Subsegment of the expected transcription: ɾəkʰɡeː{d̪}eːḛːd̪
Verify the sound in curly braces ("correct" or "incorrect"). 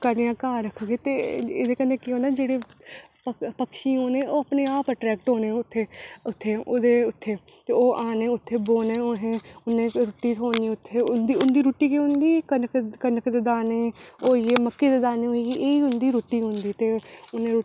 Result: incorrect